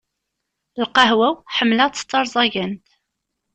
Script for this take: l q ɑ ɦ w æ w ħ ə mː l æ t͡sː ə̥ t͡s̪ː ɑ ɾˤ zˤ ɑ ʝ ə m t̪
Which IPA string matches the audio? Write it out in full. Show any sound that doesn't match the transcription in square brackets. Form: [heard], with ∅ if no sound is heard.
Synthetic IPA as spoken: l q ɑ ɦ w æ w ħ ə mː l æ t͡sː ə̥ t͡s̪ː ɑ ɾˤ zˤ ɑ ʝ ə [n] t̪